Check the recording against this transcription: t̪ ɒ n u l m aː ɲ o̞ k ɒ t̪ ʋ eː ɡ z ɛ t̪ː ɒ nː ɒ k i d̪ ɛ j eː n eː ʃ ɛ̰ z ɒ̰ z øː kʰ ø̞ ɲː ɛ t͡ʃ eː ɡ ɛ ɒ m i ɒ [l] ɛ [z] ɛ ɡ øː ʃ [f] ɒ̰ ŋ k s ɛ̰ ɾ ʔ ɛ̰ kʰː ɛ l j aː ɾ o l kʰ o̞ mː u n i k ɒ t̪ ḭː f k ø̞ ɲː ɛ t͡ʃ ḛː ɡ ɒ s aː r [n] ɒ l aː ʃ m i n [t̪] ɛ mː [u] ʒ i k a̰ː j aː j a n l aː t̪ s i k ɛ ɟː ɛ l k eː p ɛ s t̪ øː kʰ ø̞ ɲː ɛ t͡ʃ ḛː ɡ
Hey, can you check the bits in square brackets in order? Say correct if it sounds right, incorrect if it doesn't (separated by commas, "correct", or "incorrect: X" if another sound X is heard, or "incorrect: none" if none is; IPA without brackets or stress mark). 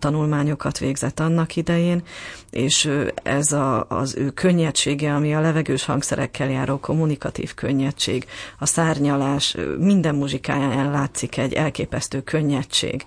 correct, incorrect: v, incorrect: h, incorrect: ɲ, incorrect: d̪, correct